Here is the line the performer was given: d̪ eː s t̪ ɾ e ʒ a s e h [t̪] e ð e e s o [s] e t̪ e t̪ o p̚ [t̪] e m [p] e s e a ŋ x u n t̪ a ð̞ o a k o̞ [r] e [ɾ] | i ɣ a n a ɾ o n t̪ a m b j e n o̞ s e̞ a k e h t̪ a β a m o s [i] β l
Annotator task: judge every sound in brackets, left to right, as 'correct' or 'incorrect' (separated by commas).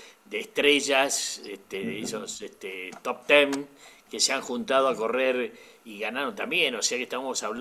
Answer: correct, correct, correct, incorrect, correct, correct, incorrect